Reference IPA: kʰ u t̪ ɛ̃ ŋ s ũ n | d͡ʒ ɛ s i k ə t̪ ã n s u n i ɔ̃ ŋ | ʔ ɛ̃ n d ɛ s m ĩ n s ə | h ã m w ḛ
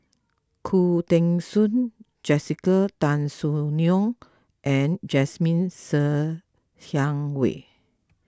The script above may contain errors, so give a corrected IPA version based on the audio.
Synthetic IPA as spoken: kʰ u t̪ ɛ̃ ŋ s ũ n | d͡ʒ ɛ s i k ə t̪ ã n s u n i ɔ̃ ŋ | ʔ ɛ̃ n d͡ʒ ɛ s m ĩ n s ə | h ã ŋ w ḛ